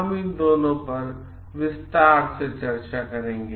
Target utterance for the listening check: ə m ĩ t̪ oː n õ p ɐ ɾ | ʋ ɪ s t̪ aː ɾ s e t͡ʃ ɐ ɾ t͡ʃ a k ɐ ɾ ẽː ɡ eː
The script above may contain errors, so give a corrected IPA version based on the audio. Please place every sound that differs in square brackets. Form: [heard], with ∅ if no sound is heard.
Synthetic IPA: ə m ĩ [d̪] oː n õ p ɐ ɾ | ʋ ɪ s t̪ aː ɾ s e t͡ʃ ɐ ɾ t͡ʃ a k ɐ ɾ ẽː ɡ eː